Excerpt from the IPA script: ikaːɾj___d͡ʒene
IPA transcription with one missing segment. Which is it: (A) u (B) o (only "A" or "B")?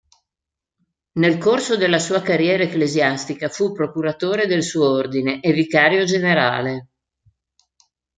B